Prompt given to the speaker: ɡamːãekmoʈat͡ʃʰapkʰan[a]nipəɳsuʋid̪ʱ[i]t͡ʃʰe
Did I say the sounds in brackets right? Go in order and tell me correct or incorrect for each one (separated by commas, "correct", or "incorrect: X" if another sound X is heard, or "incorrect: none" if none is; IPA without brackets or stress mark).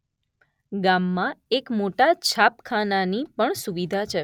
correct, incorrect: a